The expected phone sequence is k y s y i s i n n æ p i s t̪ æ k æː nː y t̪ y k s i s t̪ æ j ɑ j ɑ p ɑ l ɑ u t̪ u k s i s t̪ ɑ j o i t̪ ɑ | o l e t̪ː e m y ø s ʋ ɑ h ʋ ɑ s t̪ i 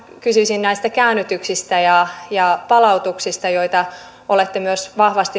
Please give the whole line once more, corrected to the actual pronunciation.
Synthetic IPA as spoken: k y s y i s i n n æ i s t̪ æ k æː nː y t̪ y k s i s t̪ æ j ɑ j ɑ p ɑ l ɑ u t̪ u k s i s t̪ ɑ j o i t̪ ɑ | o l e t̪ː e m y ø s ʋ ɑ h ʋ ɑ s t̪ i